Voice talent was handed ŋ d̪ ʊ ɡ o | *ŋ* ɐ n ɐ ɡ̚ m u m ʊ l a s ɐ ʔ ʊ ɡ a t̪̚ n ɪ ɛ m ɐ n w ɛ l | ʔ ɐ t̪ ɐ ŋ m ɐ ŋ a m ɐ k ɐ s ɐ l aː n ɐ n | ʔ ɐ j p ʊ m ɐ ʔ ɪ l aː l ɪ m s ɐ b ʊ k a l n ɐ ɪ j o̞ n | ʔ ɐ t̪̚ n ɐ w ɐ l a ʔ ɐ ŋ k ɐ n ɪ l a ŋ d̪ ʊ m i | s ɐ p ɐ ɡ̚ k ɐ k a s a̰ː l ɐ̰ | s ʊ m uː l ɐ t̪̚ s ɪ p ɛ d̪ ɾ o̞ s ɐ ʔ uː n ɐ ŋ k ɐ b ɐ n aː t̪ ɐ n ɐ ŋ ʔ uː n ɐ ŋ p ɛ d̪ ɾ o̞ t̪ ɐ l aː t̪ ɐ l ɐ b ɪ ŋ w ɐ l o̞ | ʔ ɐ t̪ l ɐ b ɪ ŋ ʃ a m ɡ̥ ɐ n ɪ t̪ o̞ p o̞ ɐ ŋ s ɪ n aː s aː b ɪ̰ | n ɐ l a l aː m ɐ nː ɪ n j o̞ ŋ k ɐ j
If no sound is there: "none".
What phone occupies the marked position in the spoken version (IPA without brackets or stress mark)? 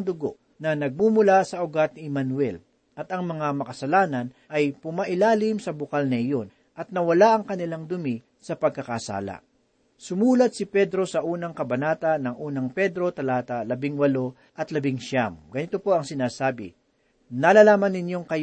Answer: n